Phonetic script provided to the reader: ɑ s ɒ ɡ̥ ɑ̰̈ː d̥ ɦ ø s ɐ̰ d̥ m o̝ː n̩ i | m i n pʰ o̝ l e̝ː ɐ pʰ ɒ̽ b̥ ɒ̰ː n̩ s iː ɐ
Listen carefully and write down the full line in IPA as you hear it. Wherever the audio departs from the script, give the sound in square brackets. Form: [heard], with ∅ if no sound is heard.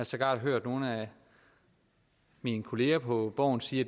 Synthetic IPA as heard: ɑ s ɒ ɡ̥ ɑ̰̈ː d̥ ɦ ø [∅] ɐ̰ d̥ [n] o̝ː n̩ [æ] | m i n [kʰ] o̝ l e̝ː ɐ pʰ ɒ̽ b̥ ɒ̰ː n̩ s iː ɐ

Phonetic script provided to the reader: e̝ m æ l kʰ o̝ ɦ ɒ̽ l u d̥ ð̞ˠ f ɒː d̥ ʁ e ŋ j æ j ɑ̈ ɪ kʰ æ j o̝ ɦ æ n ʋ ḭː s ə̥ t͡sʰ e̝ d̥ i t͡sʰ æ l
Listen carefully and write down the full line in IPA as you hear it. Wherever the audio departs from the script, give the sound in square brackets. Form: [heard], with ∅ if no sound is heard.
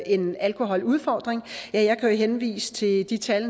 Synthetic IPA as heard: e̝ [n] æ l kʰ o̝ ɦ ɒ̽ l u [∅] ð̞ˠ f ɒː d̥ ʁ e ŋ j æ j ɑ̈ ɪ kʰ æ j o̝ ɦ [e] n ʋ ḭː s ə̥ t͡sʰ e̝ d̥ i t͡sʰ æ l

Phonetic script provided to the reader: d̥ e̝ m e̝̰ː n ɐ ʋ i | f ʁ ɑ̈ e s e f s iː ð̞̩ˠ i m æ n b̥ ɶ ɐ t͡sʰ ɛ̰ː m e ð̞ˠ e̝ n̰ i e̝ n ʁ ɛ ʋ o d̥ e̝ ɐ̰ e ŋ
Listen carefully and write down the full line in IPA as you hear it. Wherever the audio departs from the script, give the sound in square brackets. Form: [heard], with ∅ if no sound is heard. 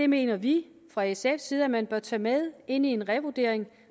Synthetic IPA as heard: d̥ e̝ m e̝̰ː n ɐ ʋ i | f ʁ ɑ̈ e s e f s iː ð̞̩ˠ [æ] m æ n b̥ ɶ ɐ t͡sʰ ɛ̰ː m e ð̞ˠ e̝ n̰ i e̝ n ʁ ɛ ʋ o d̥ e̝ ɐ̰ e ŋ

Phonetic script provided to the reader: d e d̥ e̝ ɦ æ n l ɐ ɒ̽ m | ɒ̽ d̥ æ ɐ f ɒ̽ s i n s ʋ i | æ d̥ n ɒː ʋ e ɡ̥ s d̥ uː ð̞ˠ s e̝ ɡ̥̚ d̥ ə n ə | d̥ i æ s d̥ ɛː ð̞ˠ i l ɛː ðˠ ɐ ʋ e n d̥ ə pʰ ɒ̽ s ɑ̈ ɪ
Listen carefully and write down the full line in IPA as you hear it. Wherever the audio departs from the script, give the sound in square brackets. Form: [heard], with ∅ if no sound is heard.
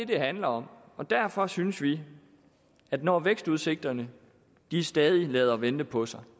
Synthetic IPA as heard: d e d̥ e̝ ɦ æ n l ɐ ɒ̽ m | ɒ̽ d̥ æ ɐ f ɒ̽ s [y] n s ʋ i | æ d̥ n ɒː ʋ e ɡ̥ s d̥ [u] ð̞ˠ s e̝ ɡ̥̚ d̥ [ɐ] n ə | d̥ i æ s d̥ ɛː ð̞ˠ i l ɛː ðˠ ɐ ʋ e n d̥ ə pʰ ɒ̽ s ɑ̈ ɪ

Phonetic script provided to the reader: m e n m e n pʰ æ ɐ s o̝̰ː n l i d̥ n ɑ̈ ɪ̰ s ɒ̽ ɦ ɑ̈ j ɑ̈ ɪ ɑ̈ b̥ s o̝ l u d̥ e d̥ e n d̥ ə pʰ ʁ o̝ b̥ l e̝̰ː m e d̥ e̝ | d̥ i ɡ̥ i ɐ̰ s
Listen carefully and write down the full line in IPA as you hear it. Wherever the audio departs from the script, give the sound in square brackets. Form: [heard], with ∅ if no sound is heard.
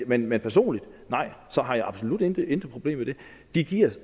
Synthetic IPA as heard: m e n m e n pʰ æ ɐ s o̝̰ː n l i d̥ n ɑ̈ ɪ̰ s ɒ̽ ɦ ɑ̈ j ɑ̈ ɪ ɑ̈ b̥ s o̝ l u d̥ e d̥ e n d̥ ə pʰ ʁ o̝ b̥ l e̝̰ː m e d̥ e̝ | d̥ i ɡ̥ i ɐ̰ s

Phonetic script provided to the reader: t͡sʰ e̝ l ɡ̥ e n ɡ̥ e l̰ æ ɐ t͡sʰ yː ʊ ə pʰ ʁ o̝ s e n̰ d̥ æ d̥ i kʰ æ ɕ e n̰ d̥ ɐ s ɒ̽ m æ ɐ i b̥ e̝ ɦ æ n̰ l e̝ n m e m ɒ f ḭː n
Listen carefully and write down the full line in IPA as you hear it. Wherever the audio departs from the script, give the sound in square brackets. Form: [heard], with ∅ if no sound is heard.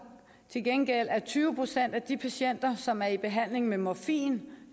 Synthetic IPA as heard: t͡sʰ e̝ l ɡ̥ e n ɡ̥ e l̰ æ ɐ t͡sʰ yː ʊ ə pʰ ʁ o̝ s e n̰ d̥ æ d̥ i [pʰ] æ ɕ e n̰ d̥ ɐ s ɒ̽ m æ ɐ i b̥ e̝ ɦ æ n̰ l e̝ [ŋ] m e m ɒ f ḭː n

